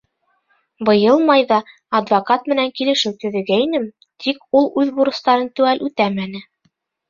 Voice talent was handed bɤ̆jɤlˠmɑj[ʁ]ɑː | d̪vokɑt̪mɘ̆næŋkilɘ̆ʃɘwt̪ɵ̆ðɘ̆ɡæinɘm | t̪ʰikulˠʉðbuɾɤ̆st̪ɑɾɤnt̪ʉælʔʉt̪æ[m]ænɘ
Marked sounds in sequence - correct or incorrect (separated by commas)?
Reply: incorrect, correct